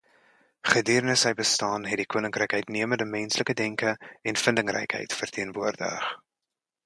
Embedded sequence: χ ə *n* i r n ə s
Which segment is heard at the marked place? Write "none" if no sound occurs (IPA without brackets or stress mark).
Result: d